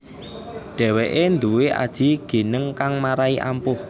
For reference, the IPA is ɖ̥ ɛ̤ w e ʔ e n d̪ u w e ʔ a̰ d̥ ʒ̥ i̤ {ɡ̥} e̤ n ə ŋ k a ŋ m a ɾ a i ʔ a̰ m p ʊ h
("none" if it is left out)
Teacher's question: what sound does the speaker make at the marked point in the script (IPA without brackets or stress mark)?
ɡ̥